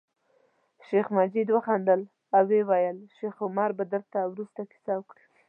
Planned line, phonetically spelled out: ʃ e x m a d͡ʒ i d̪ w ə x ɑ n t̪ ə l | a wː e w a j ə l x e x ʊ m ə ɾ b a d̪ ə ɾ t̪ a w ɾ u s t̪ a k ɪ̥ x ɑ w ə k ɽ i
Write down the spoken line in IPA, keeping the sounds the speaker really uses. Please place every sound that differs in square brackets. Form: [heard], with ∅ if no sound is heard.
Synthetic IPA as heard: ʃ e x m a d͡ʒ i d̪ w ə x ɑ n [d̪] ə l | a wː e w a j ə l [ʃ] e x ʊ m [ɑ] ɾ b a d̪ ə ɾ t̪ a w ɾ u s t̪ a k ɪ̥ [s] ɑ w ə k ɽ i